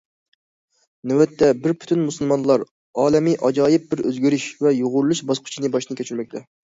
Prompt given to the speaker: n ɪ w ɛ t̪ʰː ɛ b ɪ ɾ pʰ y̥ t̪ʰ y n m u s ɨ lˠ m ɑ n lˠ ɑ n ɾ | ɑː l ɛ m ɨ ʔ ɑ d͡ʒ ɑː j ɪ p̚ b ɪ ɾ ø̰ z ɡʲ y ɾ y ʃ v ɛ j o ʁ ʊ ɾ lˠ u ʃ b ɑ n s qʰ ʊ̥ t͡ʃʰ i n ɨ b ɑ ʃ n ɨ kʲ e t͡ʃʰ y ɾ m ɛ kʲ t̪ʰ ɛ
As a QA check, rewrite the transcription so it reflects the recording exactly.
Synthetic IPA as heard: n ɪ w ɛ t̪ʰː ɛ b ɪ ɾ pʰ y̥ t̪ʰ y n m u s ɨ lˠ m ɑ n lˠ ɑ ɾ | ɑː l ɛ m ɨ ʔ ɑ d͡ʒ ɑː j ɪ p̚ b ɪ ɾ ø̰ z ɡʲ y ɾ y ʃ v ɛ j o ʁ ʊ ɾ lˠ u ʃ b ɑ s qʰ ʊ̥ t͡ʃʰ i n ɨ b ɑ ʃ n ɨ kʲ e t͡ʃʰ y ɾ m ɛ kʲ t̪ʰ ɛ

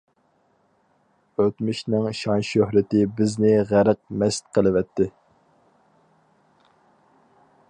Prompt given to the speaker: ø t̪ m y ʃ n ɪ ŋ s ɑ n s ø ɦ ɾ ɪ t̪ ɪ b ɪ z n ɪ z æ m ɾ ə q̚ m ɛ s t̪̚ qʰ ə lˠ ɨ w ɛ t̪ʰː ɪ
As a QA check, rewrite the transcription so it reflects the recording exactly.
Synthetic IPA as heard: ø t̪ m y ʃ n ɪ ŋ ʃ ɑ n ʃ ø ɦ ɾ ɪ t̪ ɪ b ɪ z n ɪ ʁ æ ɾ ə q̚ m ɛ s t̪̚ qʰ ə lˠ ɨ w ɛ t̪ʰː ɪ

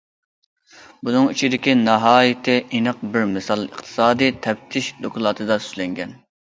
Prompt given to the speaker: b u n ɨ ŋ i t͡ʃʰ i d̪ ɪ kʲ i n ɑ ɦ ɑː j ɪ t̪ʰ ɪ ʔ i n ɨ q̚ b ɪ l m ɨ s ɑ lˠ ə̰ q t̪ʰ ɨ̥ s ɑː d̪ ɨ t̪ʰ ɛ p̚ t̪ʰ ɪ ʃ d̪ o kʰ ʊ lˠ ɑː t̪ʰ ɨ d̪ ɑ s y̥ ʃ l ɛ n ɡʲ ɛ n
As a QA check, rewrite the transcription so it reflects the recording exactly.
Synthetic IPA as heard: b u n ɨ ŋ i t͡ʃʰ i d̪ ɪ kʲ i n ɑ ɦ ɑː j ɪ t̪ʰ ɪ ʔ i n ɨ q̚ b ɪ ɾ m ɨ s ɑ lˠ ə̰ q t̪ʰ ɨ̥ s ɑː d̪ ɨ t̪ʰ ɛ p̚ t̪ʰ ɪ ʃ d̪ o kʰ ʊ lˠ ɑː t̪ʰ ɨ d̪ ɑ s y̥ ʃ l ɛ ŋ ɡʲ ɛ n

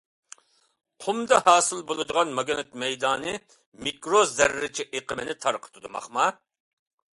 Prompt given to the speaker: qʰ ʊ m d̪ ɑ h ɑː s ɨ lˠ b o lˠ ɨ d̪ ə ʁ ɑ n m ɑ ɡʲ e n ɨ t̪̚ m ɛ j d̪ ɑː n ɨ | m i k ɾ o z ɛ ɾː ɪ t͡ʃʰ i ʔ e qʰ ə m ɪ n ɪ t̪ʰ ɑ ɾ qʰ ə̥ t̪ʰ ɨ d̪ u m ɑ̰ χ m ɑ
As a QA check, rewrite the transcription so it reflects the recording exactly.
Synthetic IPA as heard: qʰ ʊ m d̪ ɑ h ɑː s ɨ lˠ b o lˠ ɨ d̪ ə ʁ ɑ n m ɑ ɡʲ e n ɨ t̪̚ m ɛ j d̪ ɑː n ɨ | m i k ɾ o z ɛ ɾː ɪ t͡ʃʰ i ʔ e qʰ ə m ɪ n ɪ t̪ʰ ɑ ɾ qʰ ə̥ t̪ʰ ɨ d̪ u m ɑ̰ χ m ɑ

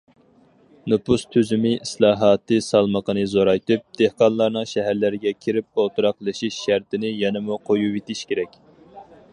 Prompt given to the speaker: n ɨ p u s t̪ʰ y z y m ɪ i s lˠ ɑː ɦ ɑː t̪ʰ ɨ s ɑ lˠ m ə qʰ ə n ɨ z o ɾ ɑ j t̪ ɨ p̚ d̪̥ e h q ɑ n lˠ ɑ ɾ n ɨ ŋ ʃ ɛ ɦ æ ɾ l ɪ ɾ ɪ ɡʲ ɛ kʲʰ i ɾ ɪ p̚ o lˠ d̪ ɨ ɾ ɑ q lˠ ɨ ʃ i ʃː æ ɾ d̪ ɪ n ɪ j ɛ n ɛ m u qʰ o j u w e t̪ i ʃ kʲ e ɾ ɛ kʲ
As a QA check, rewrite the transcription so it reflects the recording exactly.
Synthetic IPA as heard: n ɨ p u s t̪ʰ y z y m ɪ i s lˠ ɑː ɦ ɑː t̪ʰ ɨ s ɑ lˠ m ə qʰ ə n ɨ z o ɾ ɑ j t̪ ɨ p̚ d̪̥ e h q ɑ n lˠ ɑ ɾ n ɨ ŋ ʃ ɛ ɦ æ ɾ l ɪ ɾ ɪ ɡʲ ɛ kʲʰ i ɾ ɪ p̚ o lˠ t̪ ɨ ɾ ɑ q lˠ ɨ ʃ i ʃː æ ɾ t̪ ɪ n ɪ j ɛ n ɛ m u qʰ o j u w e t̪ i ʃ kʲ e ɾ ɛ kʲ

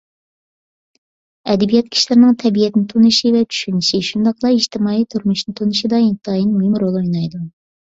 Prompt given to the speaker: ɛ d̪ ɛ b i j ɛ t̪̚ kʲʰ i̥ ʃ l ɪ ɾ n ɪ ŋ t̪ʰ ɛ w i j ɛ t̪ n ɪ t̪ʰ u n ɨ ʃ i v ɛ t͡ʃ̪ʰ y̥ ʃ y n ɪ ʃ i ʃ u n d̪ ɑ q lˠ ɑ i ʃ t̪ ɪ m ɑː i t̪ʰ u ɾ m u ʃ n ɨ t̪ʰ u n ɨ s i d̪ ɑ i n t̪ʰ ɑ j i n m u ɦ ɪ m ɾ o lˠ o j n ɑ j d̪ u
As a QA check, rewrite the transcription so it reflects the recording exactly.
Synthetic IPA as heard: ɛ d̪ ɛ b i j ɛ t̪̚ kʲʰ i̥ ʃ l ɪ ɾ n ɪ ŋ t̪ʰ ɛ b i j ɛ t̪ n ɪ t̪ʰ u n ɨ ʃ i v ɛ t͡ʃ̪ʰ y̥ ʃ y n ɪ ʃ i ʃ u n d̪ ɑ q lˠ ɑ i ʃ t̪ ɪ m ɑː i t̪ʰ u ɾ m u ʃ n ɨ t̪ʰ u n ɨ ʃ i d̪ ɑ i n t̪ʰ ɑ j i n m u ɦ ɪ m ɾ o lˠ o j n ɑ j d̪ u

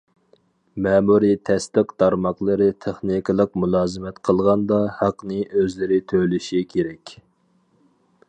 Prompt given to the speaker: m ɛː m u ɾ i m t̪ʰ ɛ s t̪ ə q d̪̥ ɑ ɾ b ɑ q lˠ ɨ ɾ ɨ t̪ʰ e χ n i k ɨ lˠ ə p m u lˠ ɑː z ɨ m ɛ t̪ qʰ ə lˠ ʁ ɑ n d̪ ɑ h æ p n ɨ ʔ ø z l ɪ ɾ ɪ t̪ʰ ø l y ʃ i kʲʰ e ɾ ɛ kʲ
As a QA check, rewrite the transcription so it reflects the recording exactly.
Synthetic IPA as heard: m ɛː m u ɾ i t̪ʰ ɛ s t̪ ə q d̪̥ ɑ ɾ m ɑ q lˠ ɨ ɾ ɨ t̪ʰ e χ n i k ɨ lˠ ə q m u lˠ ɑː z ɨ m ɛ t̪ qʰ ə lˠ ʁ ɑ n d̪ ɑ h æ q n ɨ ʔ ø z l ɪ ɾ ɪ t̪ʰ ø l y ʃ i kʲʰ e ɾ ɛ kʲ

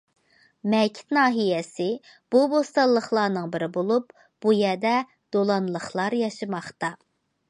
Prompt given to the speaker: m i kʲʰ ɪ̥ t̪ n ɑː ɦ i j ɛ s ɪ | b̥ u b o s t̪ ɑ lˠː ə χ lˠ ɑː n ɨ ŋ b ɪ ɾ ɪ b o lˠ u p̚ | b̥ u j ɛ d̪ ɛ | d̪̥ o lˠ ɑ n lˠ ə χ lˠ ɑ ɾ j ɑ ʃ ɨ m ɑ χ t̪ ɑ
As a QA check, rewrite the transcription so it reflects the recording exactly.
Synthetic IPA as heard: m ɛ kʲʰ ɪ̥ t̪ n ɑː ɦ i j ɛ s ɪ | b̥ u b o s t̪ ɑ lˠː ə χ lˠ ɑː n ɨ ŋ b ɪ ɾ ɪ b o lˠ u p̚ | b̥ u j ɛ d̪ ɛ | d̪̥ o lˠ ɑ n lˠ ə χ lˠ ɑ ɾ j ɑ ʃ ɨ m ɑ χ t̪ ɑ

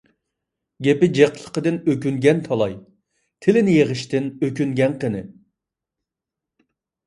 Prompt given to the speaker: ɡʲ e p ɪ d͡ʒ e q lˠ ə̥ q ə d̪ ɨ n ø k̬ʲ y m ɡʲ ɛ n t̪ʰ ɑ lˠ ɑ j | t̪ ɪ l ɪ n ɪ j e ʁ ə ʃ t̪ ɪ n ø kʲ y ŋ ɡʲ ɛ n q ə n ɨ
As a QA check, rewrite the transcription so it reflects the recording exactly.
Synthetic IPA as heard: ɡʲ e p ɪ d͡ʒ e q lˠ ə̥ q ə d̪ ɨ n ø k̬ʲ y ŋ ɡʲ ɛ n t̪ʰ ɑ lˠ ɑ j | t̪ʰ ɪ l ɪ n ɪ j e ʁ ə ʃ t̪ ɪ n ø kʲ y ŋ ɡʲ ɛ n q ə n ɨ

